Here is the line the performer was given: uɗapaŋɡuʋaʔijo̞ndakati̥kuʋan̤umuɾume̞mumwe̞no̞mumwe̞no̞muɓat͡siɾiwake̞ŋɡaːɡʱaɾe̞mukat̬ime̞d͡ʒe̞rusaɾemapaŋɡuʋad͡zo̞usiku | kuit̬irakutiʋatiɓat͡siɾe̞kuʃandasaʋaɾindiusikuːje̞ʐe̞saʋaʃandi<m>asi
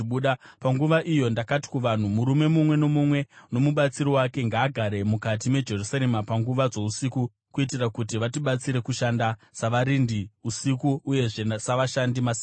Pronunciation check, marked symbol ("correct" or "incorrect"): correct